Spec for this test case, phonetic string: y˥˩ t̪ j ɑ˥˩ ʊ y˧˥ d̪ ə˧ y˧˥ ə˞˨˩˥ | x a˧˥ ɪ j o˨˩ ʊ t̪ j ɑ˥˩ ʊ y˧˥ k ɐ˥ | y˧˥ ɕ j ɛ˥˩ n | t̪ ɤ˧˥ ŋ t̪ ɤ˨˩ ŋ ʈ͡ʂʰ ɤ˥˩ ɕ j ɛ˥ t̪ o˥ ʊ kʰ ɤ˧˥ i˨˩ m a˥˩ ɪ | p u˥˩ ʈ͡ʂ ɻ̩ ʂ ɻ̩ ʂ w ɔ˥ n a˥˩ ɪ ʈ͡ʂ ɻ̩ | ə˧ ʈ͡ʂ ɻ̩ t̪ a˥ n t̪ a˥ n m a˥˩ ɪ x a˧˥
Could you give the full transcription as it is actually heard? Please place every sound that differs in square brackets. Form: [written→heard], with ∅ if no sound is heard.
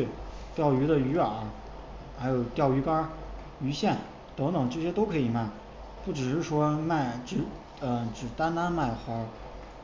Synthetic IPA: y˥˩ t̪ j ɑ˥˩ ʊ y˧˥ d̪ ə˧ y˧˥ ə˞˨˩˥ | x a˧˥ ɪ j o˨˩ ʊ t̪ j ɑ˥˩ ʊ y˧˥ k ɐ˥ | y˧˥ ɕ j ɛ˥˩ n | t̪ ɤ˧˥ ŋ t̪ ɤ˨˩ ŋ [ʈ͡ʂʰ→ʈ͡ʂ] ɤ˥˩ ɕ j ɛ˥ t̪ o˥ ʊ kʰ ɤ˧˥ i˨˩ m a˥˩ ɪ | p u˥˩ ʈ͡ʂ ɻ̩ ʂ ɻ̩ ʂ w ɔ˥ [n→m] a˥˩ ɪ ʈ͡ʂ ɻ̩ | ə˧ ʈ͡ʂ ɻ̩ t̪ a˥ n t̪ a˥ n m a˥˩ ɪ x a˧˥